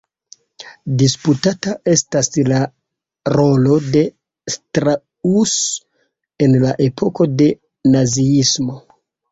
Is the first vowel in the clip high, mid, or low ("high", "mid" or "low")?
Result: high